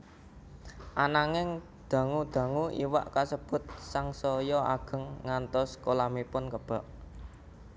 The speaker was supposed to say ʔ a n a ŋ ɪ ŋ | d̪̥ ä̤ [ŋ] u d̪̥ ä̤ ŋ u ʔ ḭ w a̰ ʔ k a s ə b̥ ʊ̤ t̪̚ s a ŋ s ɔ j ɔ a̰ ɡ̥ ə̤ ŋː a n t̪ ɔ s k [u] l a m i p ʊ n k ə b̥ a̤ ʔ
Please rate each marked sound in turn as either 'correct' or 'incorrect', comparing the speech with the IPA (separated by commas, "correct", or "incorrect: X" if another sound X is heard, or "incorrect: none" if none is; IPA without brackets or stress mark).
correct, incorrect: o